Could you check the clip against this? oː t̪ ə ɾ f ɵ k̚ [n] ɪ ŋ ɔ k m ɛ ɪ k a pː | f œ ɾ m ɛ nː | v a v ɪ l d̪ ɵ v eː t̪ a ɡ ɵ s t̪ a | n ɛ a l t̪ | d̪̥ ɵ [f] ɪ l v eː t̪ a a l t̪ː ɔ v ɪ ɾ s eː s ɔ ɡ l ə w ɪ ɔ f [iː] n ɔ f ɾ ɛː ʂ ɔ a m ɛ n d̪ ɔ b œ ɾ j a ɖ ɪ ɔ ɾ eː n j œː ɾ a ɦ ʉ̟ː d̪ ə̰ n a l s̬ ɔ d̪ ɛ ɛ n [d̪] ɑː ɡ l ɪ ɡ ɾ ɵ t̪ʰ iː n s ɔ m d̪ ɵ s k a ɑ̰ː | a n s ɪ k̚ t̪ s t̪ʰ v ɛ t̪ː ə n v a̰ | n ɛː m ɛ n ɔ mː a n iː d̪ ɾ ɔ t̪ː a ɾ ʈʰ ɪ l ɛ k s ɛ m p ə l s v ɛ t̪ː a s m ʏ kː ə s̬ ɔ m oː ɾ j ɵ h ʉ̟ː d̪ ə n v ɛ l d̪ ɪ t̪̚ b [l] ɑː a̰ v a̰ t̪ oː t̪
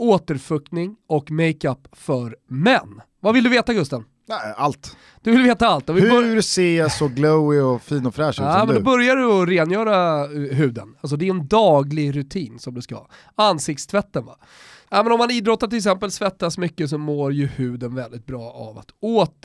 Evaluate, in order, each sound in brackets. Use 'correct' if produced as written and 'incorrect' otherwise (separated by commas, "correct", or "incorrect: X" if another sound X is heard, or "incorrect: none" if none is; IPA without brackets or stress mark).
correct, incorrect: v, correct, correct, incorrect: ɾ